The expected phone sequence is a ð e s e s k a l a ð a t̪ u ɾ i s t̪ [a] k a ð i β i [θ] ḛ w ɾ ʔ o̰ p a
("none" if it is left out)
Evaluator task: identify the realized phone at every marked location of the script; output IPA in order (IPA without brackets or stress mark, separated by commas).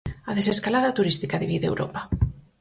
i, ð